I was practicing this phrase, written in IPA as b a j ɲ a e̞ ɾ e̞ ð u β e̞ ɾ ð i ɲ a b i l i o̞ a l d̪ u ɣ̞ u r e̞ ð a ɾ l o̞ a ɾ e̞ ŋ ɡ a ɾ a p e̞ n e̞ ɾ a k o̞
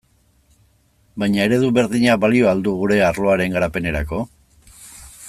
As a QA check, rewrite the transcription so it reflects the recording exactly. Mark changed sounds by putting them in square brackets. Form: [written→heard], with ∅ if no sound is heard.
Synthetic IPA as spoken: b a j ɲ a e̞ ɾ e̞ ð u β e̞ ɾ ð i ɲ a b [i→a] l i o̞ a l d̪ u ɣ̞ u [r→ɾ] e̞ [ð→∅] a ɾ l o̞ a ɾ e̞ ŋ ɡ a ɾ a p e̞ n e̞ ɾ a k o̞